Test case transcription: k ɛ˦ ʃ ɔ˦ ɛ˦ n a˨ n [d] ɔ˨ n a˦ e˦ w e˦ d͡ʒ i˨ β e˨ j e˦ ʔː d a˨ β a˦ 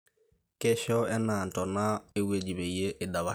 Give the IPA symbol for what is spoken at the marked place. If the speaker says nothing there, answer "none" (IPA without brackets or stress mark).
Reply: t